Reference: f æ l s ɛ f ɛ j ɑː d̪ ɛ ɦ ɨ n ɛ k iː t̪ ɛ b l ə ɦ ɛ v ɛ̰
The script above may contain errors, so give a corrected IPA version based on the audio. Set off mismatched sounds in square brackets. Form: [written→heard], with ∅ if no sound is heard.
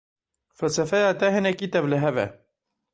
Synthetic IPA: f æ l s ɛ f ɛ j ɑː [d̪→t̪] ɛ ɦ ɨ n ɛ k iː t̪ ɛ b l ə ɦ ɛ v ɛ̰